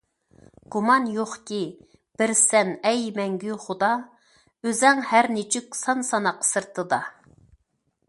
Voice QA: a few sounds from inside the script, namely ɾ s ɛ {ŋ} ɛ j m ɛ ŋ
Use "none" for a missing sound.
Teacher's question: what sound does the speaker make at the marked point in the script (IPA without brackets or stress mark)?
n